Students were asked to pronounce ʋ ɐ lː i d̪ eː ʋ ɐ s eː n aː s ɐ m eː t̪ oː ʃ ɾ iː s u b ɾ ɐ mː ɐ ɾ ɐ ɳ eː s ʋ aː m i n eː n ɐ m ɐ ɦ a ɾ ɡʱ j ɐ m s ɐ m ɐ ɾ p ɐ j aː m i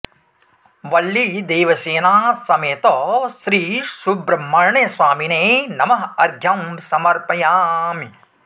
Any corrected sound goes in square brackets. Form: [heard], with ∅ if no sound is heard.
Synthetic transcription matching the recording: ʋ ɐ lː i d̪ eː ʋ ɐ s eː n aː s ɐ m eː t̪ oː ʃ ɾ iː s u b ɾ ɐ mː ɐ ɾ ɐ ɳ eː s ʋ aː m i n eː n ɐ m ɐ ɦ [ɐ] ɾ ɡʱ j ɐ m s ɐ m ɐ ɾ p ɐ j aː m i